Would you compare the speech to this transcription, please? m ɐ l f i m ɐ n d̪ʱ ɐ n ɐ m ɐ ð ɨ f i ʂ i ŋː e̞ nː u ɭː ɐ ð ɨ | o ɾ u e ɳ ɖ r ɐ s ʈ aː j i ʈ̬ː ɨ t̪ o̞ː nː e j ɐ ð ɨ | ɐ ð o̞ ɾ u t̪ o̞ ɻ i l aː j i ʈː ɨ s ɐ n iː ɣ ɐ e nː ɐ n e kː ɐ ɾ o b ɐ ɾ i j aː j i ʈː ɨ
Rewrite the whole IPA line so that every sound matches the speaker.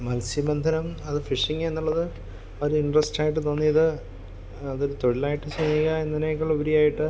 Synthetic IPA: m ɐ l s i m ɐ n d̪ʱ ɐ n ɐ m ɐ ð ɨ f i ʂ i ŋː e̞ nː u ɭː ɐ ð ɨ | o ɾ u i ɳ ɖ r ɐ s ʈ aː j i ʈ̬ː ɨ t̪ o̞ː nː i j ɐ ð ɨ | ɐ ð o̞ ɾ u t̪ o̞ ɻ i l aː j i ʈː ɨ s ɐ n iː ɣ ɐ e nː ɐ n e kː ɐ ɭ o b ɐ ɾ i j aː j i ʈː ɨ